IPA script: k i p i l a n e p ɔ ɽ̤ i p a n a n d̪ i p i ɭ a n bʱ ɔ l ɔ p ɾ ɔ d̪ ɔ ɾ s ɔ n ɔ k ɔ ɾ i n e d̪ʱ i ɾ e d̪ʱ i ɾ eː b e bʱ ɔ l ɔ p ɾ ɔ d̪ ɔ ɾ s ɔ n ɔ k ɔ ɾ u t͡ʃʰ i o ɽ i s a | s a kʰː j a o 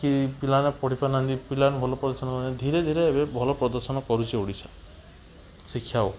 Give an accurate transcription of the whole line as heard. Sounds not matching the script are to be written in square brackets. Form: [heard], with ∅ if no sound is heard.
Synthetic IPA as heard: k i p i l a n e p ɔ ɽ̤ i p a n a n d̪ i p i [l] a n bʱ ɔ l ɔ p ɾ ɔ d̪ ɔ ɾ s ɔ n ɔ k ɔ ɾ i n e d̪ʱ i ɾ e d̪ʱ i ɾ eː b e bʱ ɔ l ɔ p ɾ ɔ d̪ ɔ ɾ s ɔ n ɔ k ɔ ɾ u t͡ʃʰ i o ɽ i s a | s [i] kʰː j a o

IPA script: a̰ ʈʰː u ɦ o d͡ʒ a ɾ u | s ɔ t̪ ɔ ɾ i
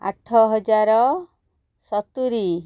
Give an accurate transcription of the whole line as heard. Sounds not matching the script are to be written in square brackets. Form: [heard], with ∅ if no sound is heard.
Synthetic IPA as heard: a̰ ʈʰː [ɔ] ɦ [ɔ] d͡ʒ a ɾ [ɔ] | s ɔ t̪ [u] ɾ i

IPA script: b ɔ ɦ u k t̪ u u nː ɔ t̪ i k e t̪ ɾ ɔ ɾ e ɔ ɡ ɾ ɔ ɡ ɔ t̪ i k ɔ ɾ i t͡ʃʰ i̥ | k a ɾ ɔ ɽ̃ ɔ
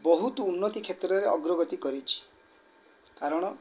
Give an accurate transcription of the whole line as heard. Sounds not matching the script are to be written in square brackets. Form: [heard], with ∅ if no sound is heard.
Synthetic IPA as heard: b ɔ ɦ u [∅] t̪ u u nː ɔ t̪ i [kʰ] e t̪ ɾ ɔ ɾ e ɔ ɡ ɾ ɔ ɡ ɔ t̪ i k ɔ ɾ i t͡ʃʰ i̥ | k a ɾ ɔ ɽ̃ ɔ

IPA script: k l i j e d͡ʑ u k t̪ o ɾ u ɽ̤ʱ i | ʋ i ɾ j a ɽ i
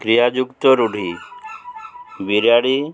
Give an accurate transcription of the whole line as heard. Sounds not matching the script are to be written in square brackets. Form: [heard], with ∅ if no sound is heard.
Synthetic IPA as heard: k [ɾ] i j [a] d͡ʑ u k t̪ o ɾ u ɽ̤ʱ i | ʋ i ɾ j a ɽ i

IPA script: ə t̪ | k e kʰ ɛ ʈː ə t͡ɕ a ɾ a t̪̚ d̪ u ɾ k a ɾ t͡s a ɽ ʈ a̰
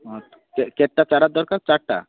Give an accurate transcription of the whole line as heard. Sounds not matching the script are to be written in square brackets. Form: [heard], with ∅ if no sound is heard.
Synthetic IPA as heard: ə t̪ | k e [k] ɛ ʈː [a] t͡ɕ a ɾ a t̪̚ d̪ [ɔ] ɾ k a ɾ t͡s a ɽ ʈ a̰

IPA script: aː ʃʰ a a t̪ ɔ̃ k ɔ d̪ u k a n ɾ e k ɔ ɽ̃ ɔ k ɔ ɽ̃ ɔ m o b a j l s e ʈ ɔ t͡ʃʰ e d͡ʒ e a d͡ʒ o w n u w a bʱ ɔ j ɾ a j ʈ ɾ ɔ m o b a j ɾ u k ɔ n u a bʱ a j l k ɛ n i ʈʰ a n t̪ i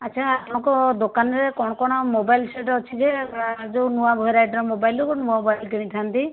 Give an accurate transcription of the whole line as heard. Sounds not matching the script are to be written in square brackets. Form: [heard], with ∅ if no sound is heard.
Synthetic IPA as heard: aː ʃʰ a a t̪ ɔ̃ k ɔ d̪ [o] k a n ɾ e k ɔ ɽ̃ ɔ k ɔ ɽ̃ ɔ m o b a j l s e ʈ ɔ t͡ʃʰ [i] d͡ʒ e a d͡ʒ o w n u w a bʱ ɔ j ɾ a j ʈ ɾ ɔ m o b a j [l] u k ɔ n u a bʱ a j l k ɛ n i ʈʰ a n t̪ i

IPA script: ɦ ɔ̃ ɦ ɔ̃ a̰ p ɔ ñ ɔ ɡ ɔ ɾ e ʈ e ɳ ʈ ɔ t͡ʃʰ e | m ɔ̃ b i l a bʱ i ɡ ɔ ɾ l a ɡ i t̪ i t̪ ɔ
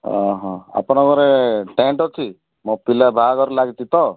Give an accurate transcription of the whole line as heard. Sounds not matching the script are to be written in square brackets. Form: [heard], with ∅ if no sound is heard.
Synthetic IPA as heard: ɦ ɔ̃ ɦ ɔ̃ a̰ p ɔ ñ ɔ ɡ ɔ ɾ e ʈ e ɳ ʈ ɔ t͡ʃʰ [i] | m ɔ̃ [p] i l a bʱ [a] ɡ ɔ ɾ l a ɡ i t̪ i t̪ ɔ

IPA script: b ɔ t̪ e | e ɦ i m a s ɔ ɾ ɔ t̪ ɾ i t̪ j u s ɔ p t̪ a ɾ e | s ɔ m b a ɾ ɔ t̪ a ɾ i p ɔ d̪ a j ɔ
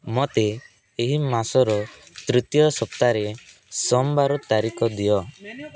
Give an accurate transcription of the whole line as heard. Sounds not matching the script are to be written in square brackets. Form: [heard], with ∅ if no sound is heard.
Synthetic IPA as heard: [m] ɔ t̪ e | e ɦ i m a s ɔ ɾ ɔ t̪ ɾ i t̪ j [ɔ] s ɔ p t̪ a ɾ e | s ɔ m b a ɾ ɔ t̪ a ɾ i [k] ɔ d̪ [i] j ɔ

